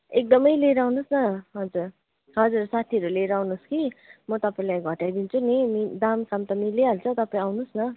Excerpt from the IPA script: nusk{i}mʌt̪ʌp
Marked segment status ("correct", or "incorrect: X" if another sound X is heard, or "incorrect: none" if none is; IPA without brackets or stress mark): correct